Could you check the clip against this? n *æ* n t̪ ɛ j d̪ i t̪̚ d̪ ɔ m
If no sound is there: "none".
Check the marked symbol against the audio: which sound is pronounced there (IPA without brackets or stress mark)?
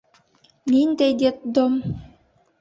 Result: i